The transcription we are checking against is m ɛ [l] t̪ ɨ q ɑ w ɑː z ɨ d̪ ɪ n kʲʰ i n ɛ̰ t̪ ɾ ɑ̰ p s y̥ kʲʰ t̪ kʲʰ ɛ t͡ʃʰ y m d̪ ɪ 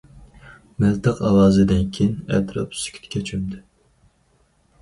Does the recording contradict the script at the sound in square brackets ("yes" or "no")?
no